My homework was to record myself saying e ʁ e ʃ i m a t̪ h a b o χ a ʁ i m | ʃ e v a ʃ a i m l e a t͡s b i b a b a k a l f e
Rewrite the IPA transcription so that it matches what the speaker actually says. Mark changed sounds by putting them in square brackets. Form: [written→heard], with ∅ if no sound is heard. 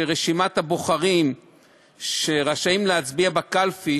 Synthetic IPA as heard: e ʁ e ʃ i m a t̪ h a b o χ a ʁ i m | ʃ e [v→ʁ] a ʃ a i m l e a t͡s b i [b→∅] a b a k a l f [e→i]